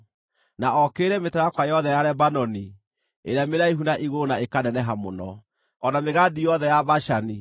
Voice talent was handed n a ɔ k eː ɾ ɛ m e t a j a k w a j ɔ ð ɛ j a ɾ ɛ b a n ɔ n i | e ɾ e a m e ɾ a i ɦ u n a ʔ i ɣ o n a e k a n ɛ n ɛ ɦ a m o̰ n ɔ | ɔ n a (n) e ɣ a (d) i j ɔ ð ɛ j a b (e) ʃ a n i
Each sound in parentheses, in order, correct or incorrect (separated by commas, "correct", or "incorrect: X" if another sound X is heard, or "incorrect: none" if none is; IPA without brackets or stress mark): incorrect: m, correct, incorrect: a